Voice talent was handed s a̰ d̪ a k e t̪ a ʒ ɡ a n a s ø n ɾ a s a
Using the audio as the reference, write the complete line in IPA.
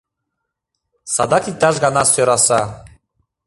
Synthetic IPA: s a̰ d̪ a k i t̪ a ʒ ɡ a n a s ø ɾ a s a